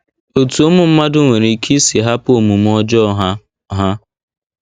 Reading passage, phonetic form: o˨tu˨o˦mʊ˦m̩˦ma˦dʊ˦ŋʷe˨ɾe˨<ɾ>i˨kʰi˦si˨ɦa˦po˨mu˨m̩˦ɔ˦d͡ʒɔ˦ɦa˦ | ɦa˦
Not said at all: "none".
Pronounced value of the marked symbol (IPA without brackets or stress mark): none